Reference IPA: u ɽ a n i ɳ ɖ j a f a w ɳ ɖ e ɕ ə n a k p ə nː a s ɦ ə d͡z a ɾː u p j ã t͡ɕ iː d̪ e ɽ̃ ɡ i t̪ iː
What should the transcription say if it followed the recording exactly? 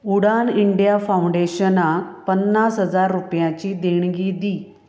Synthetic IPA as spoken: u ɽ a n i ɳ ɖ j a f a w ɳ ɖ e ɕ ə n a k p ə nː a s ɦ ə d͡z a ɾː u p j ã t͡ɕ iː d̪ e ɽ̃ ɡ i d̪ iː